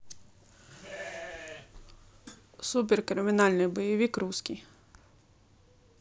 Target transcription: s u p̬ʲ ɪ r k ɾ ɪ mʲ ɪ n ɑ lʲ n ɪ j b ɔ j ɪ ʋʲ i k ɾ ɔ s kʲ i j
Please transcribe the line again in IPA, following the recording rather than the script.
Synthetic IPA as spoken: s u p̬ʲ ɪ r k ɾ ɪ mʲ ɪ n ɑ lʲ n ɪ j b ɔ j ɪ ʋʲ i k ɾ u s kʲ i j